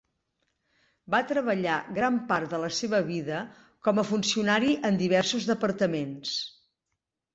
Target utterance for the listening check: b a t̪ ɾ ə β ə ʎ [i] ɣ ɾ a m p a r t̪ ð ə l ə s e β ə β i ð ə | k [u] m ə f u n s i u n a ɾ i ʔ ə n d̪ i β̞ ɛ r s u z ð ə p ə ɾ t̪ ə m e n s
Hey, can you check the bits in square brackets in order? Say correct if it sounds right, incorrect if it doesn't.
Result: incorrect, incorrect

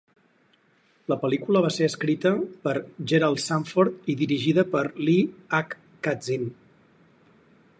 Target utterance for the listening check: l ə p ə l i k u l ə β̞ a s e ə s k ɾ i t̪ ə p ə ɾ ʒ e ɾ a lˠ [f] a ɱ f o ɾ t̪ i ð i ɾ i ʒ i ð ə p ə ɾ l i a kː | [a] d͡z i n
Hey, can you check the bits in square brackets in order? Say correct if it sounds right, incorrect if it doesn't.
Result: incorrect, correct

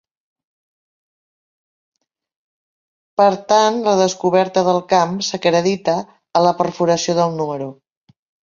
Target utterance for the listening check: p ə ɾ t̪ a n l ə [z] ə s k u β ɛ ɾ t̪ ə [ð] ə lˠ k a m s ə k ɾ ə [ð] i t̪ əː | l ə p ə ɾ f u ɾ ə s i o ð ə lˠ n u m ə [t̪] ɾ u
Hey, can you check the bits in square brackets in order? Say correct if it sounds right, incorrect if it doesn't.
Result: incorrect, correct, correct, incorrect

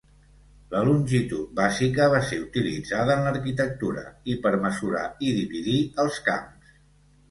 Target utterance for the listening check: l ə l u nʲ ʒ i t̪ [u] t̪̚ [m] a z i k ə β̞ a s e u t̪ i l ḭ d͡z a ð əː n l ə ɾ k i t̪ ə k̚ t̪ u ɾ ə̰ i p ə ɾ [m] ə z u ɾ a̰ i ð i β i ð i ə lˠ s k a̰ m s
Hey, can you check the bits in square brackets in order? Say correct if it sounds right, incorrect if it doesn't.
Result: correct, incorrect, correct

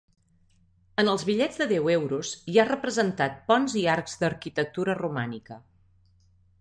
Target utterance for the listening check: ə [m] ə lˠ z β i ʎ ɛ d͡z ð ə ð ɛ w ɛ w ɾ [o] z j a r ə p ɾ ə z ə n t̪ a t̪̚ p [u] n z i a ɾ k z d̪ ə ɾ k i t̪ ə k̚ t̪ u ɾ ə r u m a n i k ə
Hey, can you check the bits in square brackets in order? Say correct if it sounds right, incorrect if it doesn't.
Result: incorrect, incorrect, incorrect

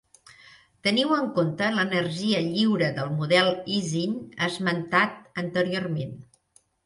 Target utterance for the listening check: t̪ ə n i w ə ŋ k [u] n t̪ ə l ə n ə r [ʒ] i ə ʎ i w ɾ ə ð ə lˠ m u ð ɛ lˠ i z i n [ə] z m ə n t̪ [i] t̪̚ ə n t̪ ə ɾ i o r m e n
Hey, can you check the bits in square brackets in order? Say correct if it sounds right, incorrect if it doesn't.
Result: incorrect, correct, correct, incorrect

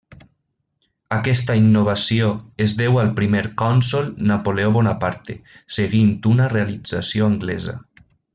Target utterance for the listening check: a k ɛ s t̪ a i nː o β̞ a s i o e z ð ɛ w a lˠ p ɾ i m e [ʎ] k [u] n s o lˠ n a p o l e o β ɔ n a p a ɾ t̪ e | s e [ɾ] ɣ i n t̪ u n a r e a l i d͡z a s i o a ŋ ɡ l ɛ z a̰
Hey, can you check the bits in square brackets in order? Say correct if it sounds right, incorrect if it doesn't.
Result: incorrect, incorrect, incorrect

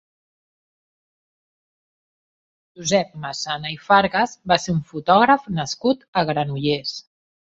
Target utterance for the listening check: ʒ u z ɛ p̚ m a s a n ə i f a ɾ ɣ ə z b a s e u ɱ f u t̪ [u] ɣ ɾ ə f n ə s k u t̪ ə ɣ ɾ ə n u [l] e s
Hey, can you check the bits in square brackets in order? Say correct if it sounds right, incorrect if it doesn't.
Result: incorrect, incorrect

